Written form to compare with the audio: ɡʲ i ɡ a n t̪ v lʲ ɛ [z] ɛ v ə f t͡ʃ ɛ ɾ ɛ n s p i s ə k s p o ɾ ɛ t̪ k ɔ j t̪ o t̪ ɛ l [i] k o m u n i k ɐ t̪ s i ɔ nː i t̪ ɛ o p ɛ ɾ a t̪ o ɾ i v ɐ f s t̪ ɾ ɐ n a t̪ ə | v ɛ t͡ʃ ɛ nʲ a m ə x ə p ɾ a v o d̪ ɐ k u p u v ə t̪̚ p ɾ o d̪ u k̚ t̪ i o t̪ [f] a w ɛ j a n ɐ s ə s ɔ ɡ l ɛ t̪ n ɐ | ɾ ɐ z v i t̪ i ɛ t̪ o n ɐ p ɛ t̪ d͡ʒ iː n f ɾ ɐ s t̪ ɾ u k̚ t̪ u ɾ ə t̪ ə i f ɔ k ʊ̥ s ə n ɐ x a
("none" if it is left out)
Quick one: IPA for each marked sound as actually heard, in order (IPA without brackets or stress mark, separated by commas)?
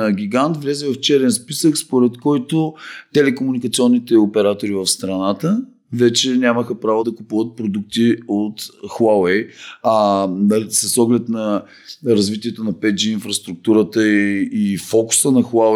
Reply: z, ɛ, x